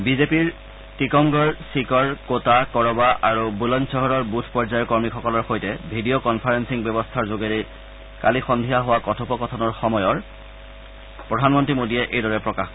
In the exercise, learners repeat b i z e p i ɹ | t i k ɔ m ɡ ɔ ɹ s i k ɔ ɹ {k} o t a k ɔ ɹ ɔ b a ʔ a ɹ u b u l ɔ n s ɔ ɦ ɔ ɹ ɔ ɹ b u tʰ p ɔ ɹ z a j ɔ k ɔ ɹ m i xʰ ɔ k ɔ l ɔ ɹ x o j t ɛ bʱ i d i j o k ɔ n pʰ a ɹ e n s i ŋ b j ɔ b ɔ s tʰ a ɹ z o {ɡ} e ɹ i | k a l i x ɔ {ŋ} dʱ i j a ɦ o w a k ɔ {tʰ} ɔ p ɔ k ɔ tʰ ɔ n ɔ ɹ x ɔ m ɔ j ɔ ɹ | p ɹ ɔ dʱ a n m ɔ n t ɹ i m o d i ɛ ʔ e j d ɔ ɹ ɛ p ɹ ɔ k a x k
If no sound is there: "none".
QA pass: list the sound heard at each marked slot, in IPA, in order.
k, ɡ, n, tʰ

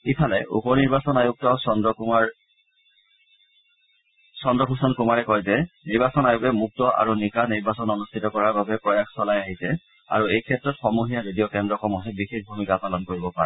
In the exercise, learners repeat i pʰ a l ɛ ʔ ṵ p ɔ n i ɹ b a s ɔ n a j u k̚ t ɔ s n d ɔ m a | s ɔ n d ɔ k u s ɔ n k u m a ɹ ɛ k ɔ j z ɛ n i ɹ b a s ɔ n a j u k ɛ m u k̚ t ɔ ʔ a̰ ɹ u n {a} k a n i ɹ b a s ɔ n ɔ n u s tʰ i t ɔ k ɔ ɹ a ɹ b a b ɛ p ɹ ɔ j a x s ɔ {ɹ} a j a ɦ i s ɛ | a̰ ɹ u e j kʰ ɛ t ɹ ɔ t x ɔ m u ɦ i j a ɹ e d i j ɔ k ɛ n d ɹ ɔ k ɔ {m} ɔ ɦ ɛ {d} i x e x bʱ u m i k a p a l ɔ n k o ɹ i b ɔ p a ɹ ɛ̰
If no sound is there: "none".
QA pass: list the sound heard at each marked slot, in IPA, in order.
i, l, m, b

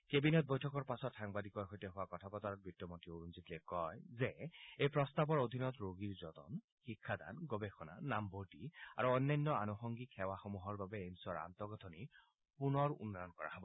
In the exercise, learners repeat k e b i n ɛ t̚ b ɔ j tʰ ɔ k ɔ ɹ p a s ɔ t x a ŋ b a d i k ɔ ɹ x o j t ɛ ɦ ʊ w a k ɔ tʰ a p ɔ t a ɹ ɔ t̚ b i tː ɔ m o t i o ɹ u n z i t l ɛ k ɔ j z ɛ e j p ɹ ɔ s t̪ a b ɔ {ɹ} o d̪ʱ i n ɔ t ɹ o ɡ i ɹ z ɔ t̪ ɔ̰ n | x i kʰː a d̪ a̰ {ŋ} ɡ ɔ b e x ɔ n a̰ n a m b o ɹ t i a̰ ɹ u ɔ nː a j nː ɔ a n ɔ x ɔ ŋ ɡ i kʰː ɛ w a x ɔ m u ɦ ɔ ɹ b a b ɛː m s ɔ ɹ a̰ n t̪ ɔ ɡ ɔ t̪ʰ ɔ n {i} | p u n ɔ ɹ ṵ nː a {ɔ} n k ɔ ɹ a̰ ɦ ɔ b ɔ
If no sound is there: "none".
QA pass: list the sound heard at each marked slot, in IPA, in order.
ɹ, n, i, ɔ

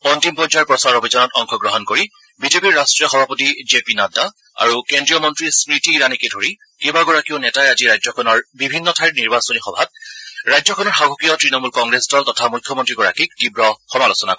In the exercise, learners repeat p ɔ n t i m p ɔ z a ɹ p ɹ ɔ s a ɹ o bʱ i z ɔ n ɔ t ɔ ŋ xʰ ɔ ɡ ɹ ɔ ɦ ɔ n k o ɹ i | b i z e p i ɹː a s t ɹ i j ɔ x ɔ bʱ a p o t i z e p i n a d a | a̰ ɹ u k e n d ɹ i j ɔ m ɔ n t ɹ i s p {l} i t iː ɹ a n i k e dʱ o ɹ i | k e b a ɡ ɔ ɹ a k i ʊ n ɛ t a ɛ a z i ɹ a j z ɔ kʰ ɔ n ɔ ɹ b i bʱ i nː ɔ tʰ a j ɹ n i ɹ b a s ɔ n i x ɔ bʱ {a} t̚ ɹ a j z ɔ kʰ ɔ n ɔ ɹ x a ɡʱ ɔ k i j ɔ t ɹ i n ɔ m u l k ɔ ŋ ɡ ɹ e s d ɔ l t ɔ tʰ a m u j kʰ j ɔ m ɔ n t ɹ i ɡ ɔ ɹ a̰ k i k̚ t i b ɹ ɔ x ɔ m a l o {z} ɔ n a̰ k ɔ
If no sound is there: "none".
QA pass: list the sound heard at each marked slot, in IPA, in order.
ɹ, a, s

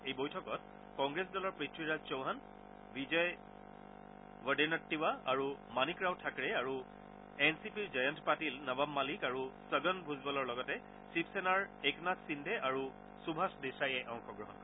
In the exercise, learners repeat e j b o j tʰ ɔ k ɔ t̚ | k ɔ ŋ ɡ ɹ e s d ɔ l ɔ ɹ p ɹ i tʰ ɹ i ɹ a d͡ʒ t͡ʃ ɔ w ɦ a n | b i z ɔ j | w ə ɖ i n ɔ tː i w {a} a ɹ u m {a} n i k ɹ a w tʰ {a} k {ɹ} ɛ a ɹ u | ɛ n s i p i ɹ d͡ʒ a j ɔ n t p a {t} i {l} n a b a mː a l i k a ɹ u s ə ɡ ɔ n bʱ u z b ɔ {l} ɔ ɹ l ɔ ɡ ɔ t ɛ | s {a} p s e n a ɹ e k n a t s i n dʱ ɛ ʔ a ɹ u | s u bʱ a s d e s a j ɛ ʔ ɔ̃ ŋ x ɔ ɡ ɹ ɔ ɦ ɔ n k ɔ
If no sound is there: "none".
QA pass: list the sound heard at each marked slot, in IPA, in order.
a, a, a, ɹ, t, l, l, i

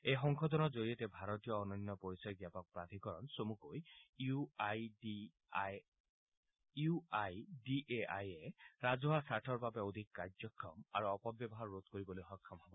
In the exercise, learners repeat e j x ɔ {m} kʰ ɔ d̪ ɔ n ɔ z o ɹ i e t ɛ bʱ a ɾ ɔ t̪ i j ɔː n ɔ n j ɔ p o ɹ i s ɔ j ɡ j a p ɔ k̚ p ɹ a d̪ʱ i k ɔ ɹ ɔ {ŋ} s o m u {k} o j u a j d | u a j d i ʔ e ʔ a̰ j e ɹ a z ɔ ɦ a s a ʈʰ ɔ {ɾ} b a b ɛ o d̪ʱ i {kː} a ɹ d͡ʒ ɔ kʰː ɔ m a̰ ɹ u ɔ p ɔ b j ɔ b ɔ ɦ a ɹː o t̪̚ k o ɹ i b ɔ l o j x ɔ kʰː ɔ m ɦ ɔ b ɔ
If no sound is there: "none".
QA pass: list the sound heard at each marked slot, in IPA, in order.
ŋ, n, k, ɹ, kː

